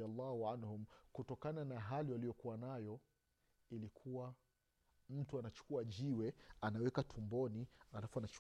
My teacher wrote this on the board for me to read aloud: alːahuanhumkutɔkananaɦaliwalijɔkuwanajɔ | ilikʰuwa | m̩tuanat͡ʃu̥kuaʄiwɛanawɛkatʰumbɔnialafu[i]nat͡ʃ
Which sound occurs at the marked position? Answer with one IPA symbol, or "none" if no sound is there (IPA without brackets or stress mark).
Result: a